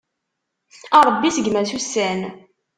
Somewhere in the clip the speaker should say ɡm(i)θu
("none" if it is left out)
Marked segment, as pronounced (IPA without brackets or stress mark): æ